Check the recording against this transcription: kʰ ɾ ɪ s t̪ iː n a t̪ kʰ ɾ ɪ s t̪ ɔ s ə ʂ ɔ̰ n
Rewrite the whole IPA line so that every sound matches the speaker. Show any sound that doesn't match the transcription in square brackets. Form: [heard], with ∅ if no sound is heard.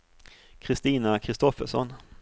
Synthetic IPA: kʰ ɾ ɪ s t̪ iː n a [∅] kʰ ɾ ɪ s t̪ ɔ [f] ə ʂ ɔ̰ n